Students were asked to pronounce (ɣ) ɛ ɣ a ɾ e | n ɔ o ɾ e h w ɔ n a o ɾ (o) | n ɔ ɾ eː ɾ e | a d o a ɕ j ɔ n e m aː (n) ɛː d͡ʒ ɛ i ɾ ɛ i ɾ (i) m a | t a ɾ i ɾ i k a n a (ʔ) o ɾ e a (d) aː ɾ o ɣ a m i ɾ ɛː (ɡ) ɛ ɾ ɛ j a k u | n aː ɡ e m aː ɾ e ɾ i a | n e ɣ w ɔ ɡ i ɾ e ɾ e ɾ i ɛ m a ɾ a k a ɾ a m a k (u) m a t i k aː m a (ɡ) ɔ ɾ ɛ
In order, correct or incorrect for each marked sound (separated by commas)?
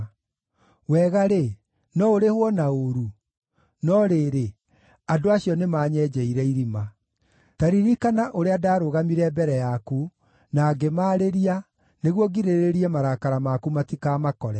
incorrect, incorrect, incorrect, correct, correct, correct, incorrect, correct, incorrect